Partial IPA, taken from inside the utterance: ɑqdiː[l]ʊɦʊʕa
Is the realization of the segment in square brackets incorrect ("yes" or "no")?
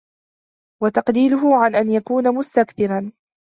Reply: no